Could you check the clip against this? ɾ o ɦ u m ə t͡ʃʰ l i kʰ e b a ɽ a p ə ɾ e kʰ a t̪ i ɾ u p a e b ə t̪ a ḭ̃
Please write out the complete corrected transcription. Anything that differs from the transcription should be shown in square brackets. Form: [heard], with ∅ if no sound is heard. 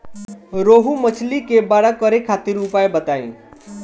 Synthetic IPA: ɾ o ɦ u m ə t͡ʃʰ l i [k] e b a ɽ a [k] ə ɾ e kʰ a t̪ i ɾ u p a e b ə t̪ a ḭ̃